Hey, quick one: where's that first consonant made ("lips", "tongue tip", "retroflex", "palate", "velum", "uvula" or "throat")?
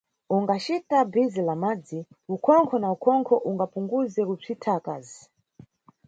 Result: velum